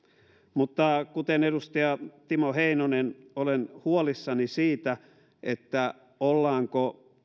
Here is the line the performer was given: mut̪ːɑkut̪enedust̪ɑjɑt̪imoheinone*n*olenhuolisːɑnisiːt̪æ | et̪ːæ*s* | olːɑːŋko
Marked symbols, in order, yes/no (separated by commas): yes, no